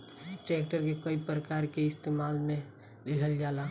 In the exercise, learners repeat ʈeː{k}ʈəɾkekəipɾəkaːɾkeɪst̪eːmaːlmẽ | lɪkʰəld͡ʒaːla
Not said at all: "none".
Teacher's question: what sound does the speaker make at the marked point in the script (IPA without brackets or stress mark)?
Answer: k